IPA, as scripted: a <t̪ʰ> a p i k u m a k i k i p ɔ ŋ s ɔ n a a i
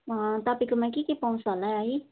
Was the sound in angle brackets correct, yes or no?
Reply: no